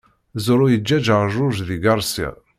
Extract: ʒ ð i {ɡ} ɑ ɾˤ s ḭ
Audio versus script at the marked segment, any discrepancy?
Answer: no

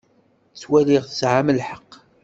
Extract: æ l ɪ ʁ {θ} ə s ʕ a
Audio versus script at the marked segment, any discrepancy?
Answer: no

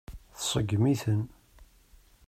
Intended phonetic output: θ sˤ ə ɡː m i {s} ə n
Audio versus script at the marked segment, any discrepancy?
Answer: yes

